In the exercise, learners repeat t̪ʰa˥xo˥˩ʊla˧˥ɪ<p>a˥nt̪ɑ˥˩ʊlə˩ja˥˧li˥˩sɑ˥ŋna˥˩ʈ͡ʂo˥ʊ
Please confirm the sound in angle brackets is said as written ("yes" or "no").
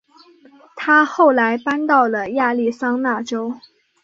yes